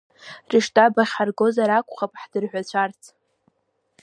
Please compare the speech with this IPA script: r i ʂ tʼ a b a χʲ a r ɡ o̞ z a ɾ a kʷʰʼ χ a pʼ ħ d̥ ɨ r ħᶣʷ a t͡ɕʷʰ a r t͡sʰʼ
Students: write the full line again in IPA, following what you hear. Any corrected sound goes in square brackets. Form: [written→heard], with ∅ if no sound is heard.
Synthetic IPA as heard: r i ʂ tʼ a b a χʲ a r ɡ o̞ z a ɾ a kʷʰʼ χ a pʼ ħ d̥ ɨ r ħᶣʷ a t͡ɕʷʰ a r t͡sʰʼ